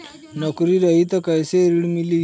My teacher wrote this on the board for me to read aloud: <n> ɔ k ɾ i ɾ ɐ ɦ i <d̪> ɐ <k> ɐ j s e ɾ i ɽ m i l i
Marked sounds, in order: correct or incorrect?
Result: correct, incorrect: t̪, correct

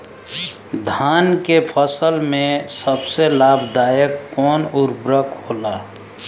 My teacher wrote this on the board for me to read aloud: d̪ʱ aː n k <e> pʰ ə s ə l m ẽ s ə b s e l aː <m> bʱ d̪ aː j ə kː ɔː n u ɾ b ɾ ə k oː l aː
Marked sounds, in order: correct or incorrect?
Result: correct, incorrect: none

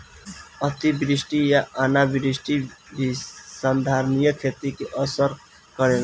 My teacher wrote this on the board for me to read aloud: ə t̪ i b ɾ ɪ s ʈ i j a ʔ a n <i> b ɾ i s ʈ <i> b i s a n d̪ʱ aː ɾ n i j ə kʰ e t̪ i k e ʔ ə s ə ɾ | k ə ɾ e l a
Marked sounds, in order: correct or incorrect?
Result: incorrect: a, correct

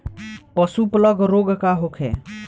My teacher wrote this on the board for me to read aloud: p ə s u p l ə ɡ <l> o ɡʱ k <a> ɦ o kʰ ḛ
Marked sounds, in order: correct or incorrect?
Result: incorrect: ɾ, correct

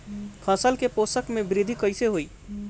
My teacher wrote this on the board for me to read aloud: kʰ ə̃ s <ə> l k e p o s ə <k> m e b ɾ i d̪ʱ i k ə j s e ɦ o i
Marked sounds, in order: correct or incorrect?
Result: correct, correct

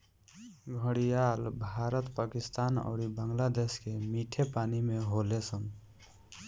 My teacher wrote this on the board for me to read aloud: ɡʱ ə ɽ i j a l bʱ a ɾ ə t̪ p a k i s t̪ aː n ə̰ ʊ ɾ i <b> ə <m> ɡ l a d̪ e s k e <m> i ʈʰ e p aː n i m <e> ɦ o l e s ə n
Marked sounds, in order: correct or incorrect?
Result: correct, incorrect: ŋ, correct, correct

